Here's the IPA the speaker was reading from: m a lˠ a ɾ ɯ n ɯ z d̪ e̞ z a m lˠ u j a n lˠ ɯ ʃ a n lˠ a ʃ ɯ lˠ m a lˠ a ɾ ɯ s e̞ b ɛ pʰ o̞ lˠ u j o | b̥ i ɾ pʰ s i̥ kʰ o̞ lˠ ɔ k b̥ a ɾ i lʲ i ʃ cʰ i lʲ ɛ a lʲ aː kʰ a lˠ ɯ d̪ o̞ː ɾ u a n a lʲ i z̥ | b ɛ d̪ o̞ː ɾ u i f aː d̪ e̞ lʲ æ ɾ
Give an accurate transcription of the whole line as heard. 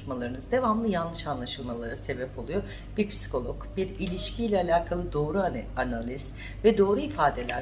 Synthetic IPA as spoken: m a lˠ a ɾ ɯ n ɯ z d̪ e̞ v a m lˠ ɯ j a n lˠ ɯ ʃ a n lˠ a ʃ ɯ lˠ m a lˠ a ɾ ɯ s e̞ b ɛ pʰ o̞ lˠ u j o | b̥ i ɾ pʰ s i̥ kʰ o̞ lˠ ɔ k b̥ i ɾ i lʲ i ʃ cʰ i lʲ ɛ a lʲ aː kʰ a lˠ ɯ d̪ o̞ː ɾ u a n a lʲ i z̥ | v ɛ d̪ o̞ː ɾ u i f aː d̪ e̞ lʲ æ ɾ